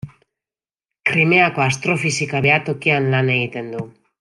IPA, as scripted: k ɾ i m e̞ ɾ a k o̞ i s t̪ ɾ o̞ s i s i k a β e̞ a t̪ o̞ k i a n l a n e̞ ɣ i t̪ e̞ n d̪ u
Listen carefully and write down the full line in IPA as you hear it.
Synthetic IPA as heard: k ɾ i m e̞ a k o̞ a s t̪ ɾ o̞ f i s i k a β e̞ a t̪ o̞ k i a n l a n e̞ ɣ i t̪ e̞ n d̪ u

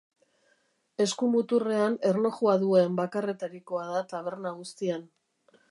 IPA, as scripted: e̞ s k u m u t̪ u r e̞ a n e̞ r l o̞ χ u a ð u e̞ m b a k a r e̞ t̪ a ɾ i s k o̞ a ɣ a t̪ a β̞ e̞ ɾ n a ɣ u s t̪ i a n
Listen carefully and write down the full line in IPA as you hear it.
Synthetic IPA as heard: e̞ s k u m u t̪ u r e̞ a n e̞ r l o̞ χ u a ð u e̞ m b a k a r e̞ t̪ a ɾ i k o̞ a ð a t̪ a β̞ e̞ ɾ n a ɣ u s t̪ i a n

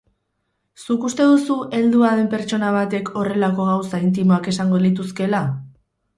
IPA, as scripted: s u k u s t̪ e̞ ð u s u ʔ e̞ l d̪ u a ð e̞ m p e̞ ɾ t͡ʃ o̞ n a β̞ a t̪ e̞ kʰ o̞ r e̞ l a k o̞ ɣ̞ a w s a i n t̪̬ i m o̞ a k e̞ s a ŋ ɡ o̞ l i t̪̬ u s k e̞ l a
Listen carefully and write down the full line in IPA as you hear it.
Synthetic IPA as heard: s u k u s t̪ e̞ ð u s u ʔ e̞ l d̪ u a ð e̞ m p e̞ ɾ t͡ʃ o̞ n a β̞ a t̪ e̞ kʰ o̞ r e̞ l a k o̞ ɣ̞ a w s a i n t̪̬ i m o̞ a k e̞ s a ŋ ɡ o̞ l i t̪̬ u s k e̞ l a

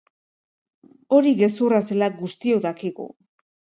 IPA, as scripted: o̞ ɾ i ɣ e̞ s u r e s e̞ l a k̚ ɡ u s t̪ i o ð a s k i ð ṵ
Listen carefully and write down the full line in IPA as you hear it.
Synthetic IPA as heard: o̞ ɾ i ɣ e̞ s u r a s e̞ l a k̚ ɡ u s t̪ i o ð a k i ɣ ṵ

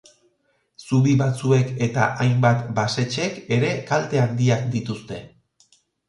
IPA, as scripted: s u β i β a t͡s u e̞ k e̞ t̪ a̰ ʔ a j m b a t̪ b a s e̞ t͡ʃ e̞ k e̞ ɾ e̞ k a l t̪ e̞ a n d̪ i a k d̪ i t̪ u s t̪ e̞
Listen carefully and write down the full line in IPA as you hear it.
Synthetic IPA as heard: s u β i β a t͡s u e̞ k e̞ t̪ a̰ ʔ a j m b a t̪ b a s e̞ t͡ʃ e̞ k e̞ ɾ e̞ k a l t̪ e̞ a n d̪ i a k d̪ i t̪ u s t̪ e̞

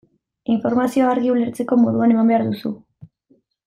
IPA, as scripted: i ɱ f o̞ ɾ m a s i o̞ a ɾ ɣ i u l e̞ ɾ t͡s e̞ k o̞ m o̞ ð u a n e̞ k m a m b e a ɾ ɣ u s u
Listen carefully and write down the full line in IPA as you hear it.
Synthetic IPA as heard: i ɱ f o̞ ɾ m a s i o̞ a ɾ ɣ i u l e̞ ɾ t͡s e̞ k o̞ m o̞ ð u a n e̞ m a m b e a ɾ ð u s u

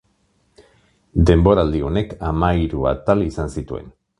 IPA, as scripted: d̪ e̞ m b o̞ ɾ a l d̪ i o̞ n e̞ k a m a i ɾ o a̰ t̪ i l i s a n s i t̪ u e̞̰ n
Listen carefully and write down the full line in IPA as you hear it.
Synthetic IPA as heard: d̪ e̞ m b o̞ ɾ a l d̪ i o̞ n e̞ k a m a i ɾ u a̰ t̪ a l i s a n s i t̪ u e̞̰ n

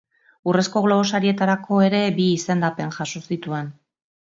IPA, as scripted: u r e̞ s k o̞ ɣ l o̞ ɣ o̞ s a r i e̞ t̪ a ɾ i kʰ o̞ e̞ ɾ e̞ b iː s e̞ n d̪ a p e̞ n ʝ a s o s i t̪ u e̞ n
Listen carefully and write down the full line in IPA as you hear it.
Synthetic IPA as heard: u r e̞ s k o̞ ɣ l o̞ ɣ o̞ s a ɾ i e̞ t̪ a ɾ a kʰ o̞ e̞ ɾ e̞ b iː s e̞ n d̪ a p e̞ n ʝ a s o s i t̪ u e̞ n

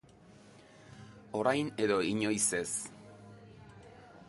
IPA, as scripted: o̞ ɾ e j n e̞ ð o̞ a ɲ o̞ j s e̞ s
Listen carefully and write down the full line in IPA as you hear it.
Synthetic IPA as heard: o̞ ɾ a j n e̞ ð o̞ i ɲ o̞ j s e̞ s

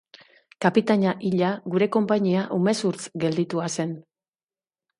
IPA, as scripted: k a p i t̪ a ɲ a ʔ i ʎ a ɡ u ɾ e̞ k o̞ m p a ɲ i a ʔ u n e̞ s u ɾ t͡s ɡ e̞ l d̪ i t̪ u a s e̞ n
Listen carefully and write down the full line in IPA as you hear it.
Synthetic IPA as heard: k a p i t̪ a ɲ a ʔ i ʎ a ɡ u ɾ e̞ k o̞ m p a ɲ i a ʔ u m e̞ s u ɾ t͡s ɡ e̞ l d̪ i t̪ u a s e̞ n

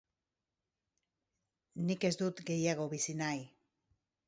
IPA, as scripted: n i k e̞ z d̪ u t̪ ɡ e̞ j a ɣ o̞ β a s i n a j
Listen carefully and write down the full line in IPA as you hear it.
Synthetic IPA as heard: n i k e̞ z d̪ u t̪ ɡ e̞ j a ɣ o̞ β i s i n a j

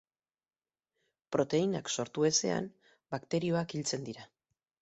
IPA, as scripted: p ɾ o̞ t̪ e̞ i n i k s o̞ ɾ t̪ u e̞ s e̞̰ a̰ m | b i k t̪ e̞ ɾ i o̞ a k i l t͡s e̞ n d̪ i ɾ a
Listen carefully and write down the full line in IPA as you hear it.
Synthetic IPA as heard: p ɾ o̞ t̪ e̞ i n a k s o̞ ɾ t̪ u e̞ s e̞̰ a̰ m | b a k t̪ e̞ ɾ i o̞ a k i l t͡s e̞ n d̪ i ɾ a

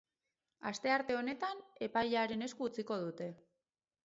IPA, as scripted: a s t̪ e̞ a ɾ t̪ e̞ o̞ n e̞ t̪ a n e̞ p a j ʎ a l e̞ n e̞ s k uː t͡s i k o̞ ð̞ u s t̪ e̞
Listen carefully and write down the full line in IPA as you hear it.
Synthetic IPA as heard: a s t̪ e̞ a ɾ t̪ e̞ o̞ n e̞ t̪ a n e̞ p a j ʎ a ɾ e̞ n e̞ s k uː t͡s i k o̞ ð̞ u t̪ e̞

